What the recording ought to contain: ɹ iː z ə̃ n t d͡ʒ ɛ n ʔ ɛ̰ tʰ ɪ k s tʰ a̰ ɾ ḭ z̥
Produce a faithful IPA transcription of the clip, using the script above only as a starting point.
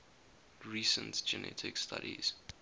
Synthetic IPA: ɹ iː s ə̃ n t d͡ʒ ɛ n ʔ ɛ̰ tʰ ɪ k s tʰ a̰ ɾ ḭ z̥